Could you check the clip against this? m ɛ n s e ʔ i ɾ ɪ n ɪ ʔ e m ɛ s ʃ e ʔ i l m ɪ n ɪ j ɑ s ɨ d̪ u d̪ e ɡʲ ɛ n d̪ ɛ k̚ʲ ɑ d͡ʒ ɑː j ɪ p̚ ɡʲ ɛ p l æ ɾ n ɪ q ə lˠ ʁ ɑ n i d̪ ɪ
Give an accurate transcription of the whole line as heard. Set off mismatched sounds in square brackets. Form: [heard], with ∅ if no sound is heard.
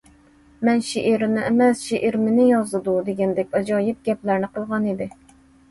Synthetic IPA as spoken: m ɛ n [ʃ] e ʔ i ɾ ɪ n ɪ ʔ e m ɛ s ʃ e ʔ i [ɾ] m ɪ n ɪ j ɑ [z] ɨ d̪ u d̪ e ɡʲ ɛ n d̪ ɛ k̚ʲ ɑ d͡ʒ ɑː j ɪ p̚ ɡʲ ɛ p l æ ɾ n ɪ q ə lˠ ʁ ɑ n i d̪ ɪ